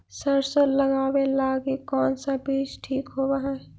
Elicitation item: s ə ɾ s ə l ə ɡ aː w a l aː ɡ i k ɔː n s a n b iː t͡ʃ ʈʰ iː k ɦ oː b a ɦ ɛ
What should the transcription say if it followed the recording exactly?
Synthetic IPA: s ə ɾ s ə l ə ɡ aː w e l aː ɡ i k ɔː n s a b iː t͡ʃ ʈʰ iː k ɦ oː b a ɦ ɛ